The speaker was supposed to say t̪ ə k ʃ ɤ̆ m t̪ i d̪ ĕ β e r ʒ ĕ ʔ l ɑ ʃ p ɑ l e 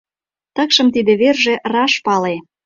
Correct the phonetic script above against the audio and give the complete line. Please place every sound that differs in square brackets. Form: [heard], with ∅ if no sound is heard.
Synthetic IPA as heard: t̪ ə k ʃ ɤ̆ m t̪ i d̪ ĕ β e r ʒ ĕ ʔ [r] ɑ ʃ p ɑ l e